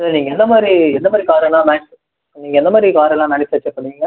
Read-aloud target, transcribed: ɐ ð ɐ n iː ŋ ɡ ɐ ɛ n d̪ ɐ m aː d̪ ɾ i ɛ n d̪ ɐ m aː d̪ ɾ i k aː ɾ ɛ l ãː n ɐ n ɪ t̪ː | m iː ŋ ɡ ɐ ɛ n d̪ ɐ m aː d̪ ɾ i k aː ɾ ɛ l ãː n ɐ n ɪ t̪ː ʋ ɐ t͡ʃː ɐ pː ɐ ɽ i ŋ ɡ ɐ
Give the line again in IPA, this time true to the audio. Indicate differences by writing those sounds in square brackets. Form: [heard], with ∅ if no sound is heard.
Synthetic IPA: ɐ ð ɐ n iː ŋ ɡ ɐ ɛ n d̪ ɐ m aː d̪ ɾ i ɛ n d̪ ɐ m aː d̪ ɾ i k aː ɾ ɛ l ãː n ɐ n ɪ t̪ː | [n] iː ŋ ɡ ɐ ɛ n d̪ ɐ m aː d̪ ɾ i k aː ɾ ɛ l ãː n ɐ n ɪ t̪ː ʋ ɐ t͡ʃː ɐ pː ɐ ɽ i ŋ ɡ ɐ